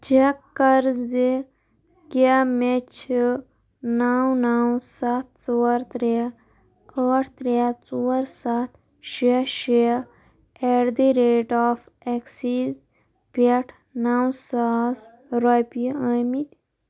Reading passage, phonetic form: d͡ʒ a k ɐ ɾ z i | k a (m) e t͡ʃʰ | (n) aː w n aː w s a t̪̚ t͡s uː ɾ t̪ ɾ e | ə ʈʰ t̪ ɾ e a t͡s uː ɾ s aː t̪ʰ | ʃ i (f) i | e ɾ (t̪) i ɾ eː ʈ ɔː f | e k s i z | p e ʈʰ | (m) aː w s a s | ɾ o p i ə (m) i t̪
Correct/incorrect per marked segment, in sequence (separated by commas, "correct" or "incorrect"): correct, correct, incorrect, incorrect, incorrect, correct